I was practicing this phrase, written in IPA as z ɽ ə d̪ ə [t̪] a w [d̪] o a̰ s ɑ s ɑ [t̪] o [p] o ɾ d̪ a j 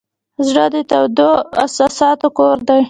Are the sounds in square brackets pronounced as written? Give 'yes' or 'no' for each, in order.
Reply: yes, yes, yes, no

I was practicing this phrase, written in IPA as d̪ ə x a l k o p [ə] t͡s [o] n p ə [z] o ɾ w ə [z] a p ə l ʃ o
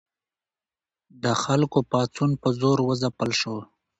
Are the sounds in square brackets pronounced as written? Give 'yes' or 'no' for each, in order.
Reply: no, no, yes, yes

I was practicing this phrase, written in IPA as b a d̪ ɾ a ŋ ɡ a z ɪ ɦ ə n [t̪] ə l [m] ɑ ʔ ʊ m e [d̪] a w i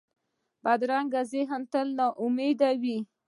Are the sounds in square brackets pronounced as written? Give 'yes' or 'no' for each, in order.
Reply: yes, no, yes

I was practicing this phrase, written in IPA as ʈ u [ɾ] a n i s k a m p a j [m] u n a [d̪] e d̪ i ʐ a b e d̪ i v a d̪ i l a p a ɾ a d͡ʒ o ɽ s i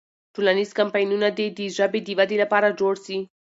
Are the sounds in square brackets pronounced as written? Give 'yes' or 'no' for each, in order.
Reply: no, no, yes

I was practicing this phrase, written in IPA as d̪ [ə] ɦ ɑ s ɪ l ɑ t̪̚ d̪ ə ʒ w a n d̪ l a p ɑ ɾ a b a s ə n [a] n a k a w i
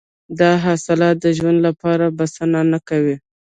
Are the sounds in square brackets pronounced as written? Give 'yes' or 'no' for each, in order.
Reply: no, yes

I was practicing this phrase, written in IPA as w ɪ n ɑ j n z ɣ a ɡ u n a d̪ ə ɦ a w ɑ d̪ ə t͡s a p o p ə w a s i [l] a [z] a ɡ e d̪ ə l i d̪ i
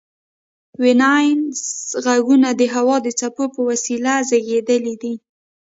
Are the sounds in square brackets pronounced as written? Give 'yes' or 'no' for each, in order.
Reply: yes, yes

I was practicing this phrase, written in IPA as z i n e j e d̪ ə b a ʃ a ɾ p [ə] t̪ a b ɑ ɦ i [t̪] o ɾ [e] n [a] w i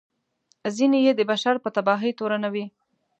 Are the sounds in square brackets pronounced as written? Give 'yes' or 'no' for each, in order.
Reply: yes, yes, no, yes

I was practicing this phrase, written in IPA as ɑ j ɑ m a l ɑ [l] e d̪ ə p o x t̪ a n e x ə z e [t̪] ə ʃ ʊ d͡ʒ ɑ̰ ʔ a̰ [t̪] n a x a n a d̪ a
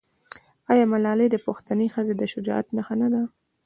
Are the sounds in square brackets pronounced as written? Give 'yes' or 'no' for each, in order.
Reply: yes, no, yes

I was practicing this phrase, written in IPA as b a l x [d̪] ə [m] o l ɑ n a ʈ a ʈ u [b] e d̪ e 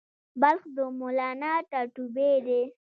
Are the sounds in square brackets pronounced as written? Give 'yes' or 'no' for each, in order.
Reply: yes, yes, yes

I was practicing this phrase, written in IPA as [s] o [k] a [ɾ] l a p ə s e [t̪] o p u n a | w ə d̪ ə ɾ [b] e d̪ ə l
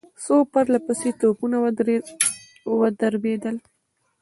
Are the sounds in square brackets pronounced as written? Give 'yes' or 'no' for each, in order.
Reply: yes, no, yes, yes, yes

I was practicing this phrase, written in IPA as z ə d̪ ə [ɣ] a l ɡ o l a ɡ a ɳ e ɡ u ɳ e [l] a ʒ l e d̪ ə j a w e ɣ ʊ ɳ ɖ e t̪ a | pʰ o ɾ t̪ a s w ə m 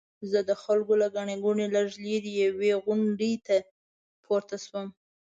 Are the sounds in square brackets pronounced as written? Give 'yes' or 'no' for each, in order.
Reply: no, yes

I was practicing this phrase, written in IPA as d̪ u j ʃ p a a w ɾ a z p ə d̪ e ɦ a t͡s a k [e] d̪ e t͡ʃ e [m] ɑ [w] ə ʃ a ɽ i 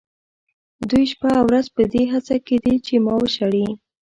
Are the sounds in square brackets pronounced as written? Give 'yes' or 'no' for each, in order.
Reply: yes, yes, yes

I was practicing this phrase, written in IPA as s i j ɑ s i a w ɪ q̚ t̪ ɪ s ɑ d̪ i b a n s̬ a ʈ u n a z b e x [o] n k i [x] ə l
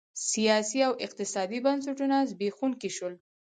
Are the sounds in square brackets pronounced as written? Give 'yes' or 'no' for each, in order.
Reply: no, no

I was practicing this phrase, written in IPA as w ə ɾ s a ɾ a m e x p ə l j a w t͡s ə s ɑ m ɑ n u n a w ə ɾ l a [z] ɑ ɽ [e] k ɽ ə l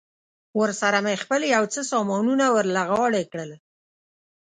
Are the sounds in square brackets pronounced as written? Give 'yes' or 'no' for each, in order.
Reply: no, yes

